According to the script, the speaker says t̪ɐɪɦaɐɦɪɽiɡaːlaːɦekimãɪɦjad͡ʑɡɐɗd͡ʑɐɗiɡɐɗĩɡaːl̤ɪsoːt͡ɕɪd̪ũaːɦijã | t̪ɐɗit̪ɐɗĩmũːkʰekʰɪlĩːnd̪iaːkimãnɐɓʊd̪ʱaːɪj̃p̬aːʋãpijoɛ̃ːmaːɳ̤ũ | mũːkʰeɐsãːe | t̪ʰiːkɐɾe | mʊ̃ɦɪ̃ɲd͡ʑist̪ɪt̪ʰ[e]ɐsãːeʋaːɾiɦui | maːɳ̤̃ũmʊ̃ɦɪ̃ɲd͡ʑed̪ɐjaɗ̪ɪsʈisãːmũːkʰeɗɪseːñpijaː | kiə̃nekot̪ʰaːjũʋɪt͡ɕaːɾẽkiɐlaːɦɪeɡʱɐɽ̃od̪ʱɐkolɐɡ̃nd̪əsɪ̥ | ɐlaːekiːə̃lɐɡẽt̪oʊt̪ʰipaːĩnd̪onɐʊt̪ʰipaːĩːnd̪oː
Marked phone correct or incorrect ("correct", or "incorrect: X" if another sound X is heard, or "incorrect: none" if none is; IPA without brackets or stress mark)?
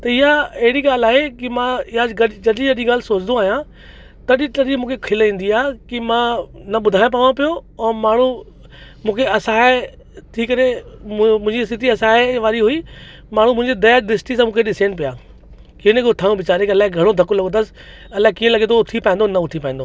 incorrect: i